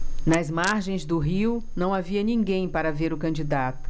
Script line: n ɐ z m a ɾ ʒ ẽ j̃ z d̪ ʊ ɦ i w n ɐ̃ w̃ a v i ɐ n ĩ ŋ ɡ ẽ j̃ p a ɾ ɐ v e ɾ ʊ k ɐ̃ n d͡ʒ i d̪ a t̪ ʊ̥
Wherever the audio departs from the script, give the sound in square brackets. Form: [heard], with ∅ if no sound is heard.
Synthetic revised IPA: n ɐ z m a ɾ ʒ ẽ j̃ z d̪ ʊ ɦ i w n ɐ̃ w̃ a v i ɐ n ĩ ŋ ɡ ẽ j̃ p a ɾ ɐ v e ɾ ʊ k ɐ̃ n d͡ʒ i d̪ a t̪ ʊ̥